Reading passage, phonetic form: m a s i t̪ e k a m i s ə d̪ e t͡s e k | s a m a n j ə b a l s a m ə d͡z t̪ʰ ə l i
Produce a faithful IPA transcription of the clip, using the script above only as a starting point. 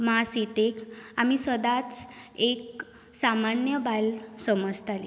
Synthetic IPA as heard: m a s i t̪ e k a m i s ə d̪ a t͡s e k | s a m a n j ə b a l s ə m ə d͡z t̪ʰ a l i